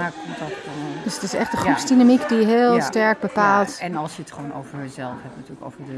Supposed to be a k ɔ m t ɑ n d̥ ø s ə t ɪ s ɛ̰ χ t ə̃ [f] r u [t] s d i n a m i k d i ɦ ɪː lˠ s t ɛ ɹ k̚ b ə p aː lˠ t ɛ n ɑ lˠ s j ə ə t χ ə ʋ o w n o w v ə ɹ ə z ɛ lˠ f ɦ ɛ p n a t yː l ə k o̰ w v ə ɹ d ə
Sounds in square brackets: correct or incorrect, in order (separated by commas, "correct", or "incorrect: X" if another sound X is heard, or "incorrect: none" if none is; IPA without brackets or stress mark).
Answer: incorrect: χ, incorrect: p